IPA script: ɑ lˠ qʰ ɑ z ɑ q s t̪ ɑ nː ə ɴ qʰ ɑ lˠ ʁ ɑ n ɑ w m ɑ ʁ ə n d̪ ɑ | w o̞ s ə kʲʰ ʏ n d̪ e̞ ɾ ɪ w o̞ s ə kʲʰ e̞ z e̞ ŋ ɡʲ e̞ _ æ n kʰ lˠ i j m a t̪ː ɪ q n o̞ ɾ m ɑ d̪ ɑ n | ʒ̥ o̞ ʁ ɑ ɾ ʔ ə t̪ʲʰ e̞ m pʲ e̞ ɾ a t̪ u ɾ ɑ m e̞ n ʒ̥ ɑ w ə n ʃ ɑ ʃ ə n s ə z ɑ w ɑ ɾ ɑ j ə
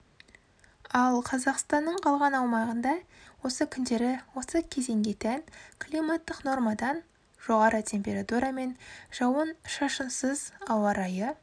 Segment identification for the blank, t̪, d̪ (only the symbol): t̪